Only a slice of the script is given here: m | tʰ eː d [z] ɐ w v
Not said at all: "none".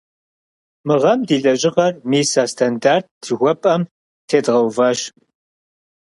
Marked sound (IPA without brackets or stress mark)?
ʁ